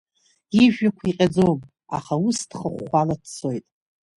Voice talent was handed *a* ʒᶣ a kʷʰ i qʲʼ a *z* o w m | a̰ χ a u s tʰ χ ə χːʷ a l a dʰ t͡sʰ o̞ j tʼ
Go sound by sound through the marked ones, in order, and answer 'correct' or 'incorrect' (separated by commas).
incorrect, incorrect